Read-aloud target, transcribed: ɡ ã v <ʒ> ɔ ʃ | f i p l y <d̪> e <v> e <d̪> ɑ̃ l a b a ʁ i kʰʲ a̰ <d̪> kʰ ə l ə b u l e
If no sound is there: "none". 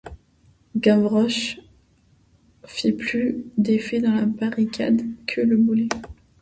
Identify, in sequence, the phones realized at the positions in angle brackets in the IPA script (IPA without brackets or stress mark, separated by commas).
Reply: ʁ, d̪, f, d̪, d̪